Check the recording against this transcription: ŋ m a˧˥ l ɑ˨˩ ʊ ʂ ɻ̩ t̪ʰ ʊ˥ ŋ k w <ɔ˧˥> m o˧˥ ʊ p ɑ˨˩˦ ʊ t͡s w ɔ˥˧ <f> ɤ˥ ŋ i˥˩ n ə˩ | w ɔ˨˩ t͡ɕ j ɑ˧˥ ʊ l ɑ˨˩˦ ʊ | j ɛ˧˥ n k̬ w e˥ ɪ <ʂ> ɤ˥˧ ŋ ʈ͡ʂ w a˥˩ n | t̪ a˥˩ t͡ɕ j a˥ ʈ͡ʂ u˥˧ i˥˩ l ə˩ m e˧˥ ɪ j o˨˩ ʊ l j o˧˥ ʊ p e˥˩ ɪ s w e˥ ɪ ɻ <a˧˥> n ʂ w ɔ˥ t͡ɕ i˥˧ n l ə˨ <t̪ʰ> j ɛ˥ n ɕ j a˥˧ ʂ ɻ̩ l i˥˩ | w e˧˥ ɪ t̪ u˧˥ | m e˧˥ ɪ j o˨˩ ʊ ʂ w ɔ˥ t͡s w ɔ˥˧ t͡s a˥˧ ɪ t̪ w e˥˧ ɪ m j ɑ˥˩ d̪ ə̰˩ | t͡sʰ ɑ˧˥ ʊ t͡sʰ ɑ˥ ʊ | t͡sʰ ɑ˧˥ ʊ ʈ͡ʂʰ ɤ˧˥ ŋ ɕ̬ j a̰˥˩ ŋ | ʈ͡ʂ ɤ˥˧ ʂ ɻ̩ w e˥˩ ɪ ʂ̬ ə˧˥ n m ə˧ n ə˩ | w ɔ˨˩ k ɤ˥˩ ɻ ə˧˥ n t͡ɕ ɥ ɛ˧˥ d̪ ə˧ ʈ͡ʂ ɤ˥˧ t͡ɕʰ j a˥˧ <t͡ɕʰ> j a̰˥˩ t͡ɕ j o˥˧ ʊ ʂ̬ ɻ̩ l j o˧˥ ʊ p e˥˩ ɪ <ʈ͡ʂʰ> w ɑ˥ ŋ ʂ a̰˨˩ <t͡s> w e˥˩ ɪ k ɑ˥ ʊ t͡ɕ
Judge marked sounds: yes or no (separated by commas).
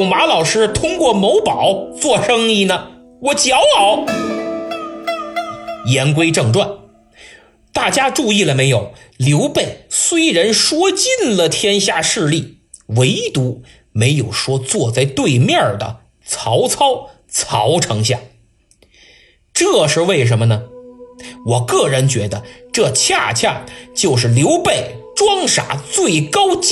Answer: no, no, no, no, yes, yes, no, yes